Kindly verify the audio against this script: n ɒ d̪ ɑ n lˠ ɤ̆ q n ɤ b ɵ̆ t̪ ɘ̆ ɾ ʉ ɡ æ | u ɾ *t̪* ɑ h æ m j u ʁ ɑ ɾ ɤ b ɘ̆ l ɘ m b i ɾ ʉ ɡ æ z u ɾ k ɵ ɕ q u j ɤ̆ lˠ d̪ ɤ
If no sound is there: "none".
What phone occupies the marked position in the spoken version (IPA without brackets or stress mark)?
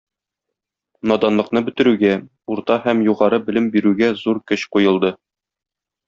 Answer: t̪